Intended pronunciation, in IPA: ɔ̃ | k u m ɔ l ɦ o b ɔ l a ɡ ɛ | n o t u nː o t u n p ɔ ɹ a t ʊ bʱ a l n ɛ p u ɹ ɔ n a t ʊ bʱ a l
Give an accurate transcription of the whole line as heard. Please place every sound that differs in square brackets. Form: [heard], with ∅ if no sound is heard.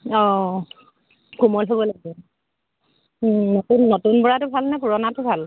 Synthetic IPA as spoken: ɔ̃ | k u m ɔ l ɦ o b ɔ l a ɡ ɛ | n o t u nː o t u n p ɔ ɹ a t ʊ bʱ a l n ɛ p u ɹ ɔ n a t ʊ bʱ a l